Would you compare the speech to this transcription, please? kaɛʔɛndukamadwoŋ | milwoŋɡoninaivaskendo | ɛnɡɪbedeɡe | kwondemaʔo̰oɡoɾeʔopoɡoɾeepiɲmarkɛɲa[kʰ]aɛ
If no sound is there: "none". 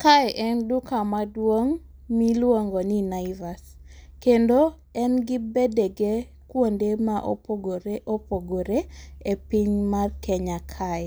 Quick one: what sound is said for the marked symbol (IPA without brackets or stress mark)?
kʰ